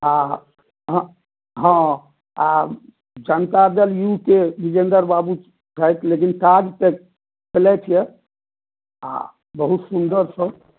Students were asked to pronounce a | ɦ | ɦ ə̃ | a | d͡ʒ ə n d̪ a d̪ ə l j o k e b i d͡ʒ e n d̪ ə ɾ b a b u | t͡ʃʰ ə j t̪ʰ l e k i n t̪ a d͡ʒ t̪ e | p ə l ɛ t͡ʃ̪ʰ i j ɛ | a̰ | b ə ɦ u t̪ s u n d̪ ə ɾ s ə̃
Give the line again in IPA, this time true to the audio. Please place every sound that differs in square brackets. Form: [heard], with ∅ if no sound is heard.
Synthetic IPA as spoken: a | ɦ | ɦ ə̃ | a | d͡ʒ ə n [t̪] a d̪ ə l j [u] k e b i d͡ʒ e n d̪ ə ɾ b a b u | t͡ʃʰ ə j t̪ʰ l e k i n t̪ a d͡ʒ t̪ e | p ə l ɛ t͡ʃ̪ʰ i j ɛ | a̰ | b ə ɦ u t̪ s u n d̪ ə ɾ s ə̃